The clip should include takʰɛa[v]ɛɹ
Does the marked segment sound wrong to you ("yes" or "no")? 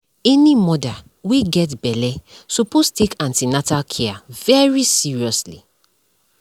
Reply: no